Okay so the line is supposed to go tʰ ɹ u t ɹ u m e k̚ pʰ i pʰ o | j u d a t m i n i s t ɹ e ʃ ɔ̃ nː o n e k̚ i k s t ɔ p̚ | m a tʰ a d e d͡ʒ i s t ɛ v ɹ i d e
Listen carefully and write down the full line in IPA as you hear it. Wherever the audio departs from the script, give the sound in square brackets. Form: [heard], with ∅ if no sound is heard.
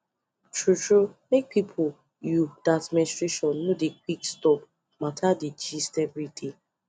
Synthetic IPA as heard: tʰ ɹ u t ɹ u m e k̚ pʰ i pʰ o | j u d a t m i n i s t ɹ e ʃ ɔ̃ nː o [d] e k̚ i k s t ɔ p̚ | m a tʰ a d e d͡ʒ i s t ɛ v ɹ i d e